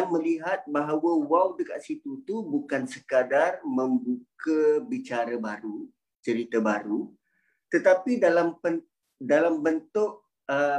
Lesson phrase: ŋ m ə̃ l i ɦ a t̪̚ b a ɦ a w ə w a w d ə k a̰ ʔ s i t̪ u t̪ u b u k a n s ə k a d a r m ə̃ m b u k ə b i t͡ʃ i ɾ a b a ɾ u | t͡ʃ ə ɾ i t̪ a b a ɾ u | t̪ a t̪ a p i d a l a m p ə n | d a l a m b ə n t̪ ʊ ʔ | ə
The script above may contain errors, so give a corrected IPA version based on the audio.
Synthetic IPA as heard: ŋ m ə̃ l i ɦ a t̪̚ b a ɦ a w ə w a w d ə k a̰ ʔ s i t̪ u t̪ u b u k a n s ə k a d a r m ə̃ m b u k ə b i t͡ʃ a ɾ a b a ɾ u | t͡ʃ ə ɾ i t̪ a b a ɾ u | t̪ ə t̪ a p i d a l a m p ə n | d a l a m b ə n t̪ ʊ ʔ | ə